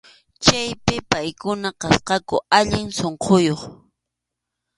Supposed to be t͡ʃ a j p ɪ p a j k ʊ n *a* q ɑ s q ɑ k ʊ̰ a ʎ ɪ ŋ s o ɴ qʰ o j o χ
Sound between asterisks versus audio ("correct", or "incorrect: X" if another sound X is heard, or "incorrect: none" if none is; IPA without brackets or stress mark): correct